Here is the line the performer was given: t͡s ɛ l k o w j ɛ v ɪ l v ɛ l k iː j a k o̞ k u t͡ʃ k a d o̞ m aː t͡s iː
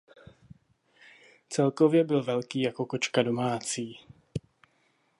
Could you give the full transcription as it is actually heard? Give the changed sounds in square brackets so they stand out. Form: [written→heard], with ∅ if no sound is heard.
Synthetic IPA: t͡s ɛ l k o [w→v] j ɛ [v→b] ɪ l v ɛ l k iː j a k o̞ k [u→o] t͡ʃ k a d o̞ m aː t͡s iː